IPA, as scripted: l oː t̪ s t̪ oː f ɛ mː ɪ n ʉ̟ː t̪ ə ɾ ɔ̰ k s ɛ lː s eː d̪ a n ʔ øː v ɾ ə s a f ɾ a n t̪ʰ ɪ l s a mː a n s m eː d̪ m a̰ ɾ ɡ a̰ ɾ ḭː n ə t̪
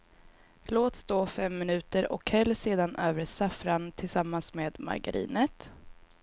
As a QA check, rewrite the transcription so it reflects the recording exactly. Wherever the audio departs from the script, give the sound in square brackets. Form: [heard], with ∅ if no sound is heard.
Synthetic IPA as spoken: l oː t̪ s t̪ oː f ɛ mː ɪ n ʉ̟ː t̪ ə ɾ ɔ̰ k [h] ɛ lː s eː d̪ a n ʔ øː v ɾ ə s a f ɾ a n t̪ʰ ɪ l s a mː a n s m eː d̪ m a̰ ɾ ɡ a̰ ɾ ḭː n ə t̪